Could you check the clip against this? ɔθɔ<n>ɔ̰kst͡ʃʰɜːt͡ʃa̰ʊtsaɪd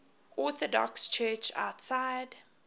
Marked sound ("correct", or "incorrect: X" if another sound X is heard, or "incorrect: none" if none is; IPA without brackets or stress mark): incorrect: d